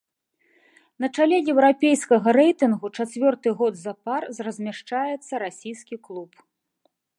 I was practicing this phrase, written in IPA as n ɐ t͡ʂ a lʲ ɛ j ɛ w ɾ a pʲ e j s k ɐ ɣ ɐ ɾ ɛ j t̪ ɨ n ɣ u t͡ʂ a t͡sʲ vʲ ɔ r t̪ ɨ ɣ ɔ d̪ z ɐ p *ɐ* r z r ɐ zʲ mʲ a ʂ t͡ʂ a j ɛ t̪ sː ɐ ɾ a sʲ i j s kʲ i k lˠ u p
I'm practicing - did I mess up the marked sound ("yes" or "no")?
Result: yes